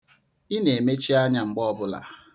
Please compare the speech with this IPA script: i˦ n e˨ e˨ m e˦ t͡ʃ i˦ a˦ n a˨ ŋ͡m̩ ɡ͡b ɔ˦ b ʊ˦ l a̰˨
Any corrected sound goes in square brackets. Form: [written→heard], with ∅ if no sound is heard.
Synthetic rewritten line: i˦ n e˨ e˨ m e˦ t͡ʃ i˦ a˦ [n→ɲ] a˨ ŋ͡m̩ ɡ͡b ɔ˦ b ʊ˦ l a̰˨